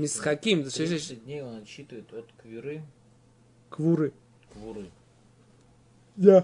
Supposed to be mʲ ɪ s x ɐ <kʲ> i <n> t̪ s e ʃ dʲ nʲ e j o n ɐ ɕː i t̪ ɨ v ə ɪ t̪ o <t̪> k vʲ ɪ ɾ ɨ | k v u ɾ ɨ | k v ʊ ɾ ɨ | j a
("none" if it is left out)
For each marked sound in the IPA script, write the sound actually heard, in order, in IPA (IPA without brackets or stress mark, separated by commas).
kʲ, m, t̪